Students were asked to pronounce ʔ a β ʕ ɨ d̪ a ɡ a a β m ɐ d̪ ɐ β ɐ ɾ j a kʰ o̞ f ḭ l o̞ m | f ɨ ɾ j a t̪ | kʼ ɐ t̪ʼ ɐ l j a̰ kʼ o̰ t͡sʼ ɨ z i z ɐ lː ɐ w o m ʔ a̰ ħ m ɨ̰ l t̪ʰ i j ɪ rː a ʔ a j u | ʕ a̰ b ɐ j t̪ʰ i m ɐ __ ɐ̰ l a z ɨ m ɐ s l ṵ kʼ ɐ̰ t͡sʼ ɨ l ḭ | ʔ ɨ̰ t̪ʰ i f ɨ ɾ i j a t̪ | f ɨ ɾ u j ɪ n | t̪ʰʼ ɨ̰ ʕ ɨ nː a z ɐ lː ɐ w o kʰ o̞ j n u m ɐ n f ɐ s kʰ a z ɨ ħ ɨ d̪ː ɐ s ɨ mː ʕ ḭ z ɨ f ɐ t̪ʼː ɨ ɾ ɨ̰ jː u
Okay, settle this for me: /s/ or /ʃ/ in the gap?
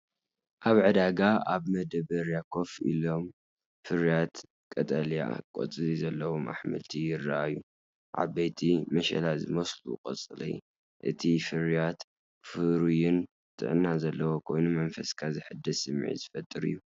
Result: ʃ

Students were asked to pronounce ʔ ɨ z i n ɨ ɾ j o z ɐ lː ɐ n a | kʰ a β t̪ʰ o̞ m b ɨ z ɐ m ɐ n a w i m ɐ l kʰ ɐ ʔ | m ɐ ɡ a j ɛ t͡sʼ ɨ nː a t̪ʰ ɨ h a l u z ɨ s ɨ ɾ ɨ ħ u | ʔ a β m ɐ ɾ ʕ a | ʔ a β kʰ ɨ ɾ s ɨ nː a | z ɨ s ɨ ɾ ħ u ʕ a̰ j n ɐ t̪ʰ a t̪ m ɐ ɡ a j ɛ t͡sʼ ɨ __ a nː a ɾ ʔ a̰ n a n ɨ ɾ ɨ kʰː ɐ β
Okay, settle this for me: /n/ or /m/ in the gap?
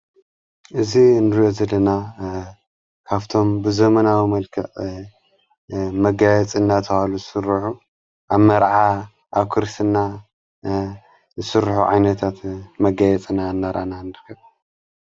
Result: n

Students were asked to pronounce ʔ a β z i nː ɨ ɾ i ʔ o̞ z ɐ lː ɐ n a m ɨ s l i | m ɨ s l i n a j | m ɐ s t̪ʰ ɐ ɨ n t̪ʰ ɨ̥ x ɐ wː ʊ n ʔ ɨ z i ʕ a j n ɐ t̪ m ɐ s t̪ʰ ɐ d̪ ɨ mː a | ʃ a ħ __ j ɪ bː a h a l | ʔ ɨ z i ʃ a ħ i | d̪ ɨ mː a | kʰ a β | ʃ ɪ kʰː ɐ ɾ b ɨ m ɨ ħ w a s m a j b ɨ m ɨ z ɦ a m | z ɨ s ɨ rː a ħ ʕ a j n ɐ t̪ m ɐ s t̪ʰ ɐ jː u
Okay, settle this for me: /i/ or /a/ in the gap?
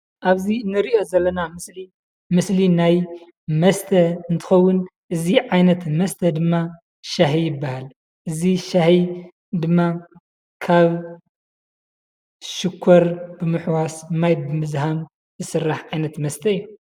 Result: i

